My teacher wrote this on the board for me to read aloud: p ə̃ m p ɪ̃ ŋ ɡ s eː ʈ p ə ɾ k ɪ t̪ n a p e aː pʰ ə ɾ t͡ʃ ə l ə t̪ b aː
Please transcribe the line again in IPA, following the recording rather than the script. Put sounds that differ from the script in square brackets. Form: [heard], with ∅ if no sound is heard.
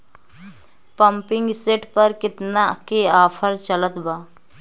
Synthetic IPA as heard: p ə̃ m p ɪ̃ ŋ ɡ s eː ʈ p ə ɾ k ɪ t̪ n a [k] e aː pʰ ə ɾ t͡ʃ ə l ə t̪ b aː